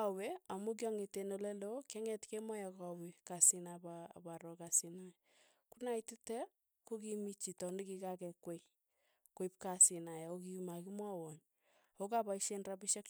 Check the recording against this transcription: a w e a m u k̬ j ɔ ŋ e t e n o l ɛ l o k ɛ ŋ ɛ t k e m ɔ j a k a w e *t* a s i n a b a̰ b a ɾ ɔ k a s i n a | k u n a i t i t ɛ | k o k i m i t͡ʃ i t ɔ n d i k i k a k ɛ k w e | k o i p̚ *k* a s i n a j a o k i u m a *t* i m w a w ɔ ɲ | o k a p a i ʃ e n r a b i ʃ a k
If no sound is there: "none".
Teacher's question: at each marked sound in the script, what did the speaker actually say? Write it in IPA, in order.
k, k, k

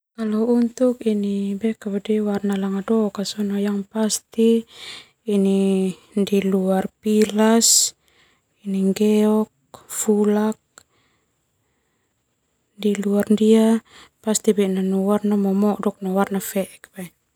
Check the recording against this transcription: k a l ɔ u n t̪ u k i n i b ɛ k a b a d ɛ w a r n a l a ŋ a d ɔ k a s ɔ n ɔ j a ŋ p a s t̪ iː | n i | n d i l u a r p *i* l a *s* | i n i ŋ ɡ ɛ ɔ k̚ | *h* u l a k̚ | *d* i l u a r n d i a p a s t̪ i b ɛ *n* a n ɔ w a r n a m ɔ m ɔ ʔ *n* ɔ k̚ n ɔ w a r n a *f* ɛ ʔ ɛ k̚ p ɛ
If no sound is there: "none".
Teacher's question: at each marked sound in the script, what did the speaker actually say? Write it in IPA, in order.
i, s, f, d, n, d, f

